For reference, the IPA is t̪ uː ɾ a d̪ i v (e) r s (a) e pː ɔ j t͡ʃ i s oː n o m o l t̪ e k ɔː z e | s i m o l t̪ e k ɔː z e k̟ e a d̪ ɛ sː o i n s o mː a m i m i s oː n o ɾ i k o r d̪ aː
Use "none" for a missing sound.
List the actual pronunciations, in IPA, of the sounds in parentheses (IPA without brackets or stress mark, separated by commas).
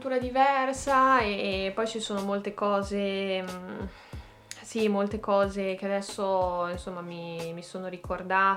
ɛ, a